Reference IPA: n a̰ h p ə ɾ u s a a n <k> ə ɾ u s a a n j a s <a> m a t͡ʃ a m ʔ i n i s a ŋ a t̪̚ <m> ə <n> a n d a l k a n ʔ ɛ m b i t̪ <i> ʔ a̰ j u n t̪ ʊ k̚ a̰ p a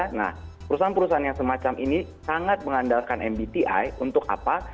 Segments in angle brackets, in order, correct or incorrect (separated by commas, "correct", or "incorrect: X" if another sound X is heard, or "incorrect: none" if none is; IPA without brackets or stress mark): incorrect: p, incorrect: ə, correct, incorrect: ŋ, correct